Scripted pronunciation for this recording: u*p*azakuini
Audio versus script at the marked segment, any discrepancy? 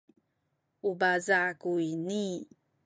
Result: yes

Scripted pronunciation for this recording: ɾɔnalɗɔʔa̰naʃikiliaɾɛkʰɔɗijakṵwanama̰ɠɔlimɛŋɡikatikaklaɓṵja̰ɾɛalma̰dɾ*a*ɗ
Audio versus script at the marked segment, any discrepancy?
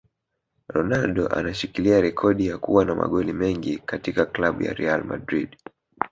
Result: yes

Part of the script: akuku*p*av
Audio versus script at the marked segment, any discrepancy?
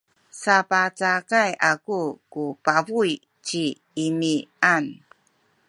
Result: no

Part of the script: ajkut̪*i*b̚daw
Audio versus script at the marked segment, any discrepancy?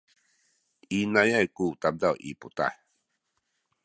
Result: yes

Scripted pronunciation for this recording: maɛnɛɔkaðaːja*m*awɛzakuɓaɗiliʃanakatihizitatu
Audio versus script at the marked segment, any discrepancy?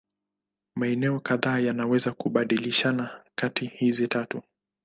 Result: yes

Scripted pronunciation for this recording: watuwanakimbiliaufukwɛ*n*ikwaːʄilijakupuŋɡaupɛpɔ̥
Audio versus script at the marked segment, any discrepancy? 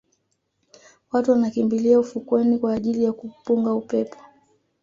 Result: no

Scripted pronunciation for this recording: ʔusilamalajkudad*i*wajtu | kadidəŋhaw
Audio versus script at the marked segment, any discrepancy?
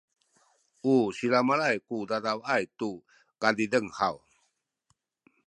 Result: yes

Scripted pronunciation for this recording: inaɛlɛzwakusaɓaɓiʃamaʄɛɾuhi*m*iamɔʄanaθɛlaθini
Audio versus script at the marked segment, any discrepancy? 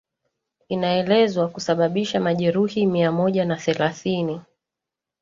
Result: no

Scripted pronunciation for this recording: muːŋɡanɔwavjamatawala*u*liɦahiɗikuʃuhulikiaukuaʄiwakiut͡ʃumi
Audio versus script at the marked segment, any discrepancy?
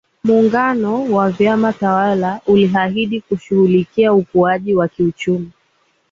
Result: no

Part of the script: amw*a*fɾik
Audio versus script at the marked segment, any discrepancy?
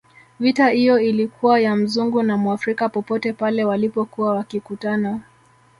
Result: no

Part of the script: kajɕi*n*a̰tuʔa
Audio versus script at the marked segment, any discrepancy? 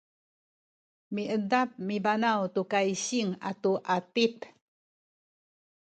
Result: yes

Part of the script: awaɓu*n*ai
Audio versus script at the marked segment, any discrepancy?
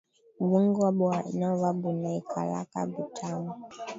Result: no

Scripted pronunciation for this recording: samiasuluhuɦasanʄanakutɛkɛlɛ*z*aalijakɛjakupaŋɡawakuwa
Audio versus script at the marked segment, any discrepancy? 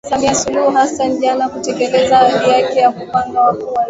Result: no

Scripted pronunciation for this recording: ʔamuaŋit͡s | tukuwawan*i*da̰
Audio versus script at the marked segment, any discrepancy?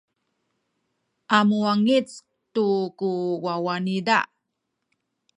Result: no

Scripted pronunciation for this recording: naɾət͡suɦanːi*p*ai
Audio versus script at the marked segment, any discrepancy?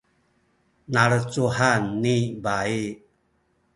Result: yes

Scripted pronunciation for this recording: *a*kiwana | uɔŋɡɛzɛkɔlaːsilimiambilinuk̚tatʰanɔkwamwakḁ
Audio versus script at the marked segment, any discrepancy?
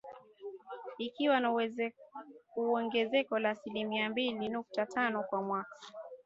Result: yes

